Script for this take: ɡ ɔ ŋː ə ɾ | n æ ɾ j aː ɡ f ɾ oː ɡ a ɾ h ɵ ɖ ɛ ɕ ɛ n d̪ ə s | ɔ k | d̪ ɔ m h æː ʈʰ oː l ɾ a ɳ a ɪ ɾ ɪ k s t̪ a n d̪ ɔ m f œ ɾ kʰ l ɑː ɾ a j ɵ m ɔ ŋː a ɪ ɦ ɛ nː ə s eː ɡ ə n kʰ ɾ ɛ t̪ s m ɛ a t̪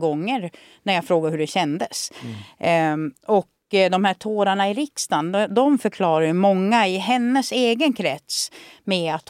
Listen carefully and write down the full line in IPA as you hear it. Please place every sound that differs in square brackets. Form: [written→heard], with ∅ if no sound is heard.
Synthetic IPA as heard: ɡ ɔ ŋː ə ɾ | n æ ɾ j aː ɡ f ɾ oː ɡ a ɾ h ɵ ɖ ɛ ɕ ɛ n d̪ ə s | ɔ k | d̪ ɔ m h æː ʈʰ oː [l→∅] ɾ a ɳ a ɪ ɾ ɪ k s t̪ a n d̪ ɔ m f œ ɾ kʰ l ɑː ɾ a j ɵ m ɔ ŋː a ɪ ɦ ɛ nː ə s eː ɡ ə n kʰ ɾ ɛ t̪ s m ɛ a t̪